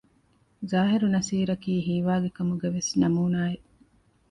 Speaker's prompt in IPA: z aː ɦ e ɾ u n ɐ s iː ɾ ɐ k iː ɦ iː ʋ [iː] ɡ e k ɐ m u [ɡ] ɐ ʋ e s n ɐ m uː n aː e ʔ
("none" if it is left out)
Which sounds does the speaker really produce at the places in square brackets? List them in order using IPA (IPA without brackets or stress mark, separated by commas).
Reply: aː, ɡ